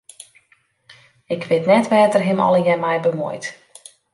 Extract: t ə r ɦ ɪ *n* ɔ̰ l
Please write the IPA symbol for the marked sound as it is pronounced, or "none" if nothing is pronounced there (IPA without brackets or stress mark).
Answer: m